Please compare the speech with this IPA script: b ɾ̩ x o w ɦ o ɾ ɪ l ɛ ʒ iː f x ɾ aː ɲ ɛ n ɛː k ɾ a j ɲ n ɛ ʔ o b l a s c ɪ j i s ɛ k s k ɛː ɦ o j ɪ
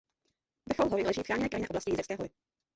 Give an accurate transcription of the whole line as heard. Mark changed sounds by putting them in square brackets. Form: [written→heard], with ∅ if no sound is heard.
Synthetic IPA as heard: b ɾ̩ x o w ɦ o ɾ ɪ l ɛ ʒ iː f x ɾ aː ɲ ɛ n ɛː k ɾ a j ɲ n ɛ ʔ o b l a s c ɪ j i [s→z] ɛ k s k ɛː ɦ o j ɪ